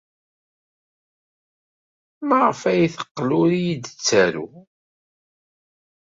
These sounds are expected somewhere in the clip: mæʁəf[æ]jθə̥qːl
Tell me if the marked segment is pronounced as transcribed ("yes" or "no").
yes